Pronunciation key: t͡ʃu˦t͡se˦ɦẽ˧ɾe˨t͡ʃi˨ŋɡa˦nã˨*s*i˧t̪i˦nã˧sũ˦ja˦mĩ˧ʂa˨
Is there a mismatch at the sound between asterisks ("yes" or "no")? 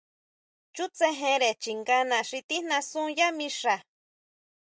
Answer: yes